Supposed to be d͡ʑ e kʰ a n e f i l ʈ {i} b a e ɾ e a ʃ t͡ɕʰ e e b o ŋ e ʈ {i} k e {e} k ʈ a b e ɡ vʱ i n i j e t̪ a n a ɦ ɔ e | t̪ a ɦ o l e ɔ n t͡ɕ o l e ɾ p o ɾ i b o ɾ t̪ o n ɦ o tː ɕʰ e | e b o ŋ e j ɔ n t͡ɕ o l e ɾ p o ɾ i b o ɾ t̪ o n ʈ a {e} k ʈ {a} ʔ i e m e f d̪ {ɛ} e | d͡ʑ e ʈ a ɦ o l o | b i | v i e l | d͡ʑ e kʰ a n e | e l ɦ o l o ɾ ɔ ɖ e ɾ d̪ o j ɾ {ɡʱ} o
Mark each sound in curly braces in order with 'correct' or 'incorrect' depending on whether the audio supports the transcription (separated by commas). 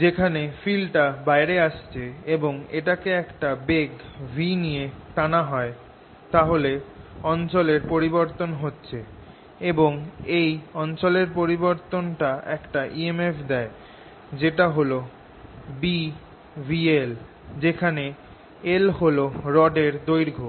incorrect, incorrect, incorrect, incorrect, correct, correct, correct